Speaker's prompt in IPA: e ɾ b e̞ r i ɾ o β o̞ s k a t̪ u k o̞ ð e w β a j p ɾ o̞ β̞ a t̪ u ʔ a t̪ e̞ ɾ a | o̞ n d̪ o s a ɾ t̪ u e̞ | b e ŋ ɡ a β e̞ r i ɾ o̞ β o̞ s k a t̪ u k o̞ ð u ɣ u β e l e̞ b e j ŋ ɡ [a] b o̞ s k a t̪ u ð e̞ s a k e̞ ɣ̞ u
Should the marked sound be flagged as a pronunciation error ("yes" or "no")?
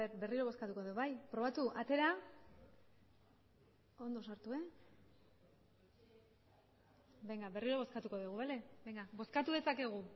no